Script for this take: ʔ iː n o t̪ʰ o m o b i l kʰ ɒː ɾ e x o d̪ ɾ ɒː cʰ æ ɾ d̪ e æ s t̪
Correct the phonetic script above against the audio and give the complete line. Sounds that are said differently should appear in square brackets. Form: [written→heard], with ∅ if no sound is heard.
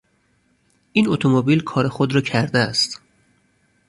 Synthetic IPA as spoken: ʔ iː n o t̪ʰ o m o b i l kʰ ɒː ɾ e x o d̪ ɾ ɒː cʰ æ ɾ d̪ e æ s t̪